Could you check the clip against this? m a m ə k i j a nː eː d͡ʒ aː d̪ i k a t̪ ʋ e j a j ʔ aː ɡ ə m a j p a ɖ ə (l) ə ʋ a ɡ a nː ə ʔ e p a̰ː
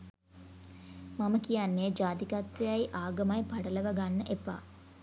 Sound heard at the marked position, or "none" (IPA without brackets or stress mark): l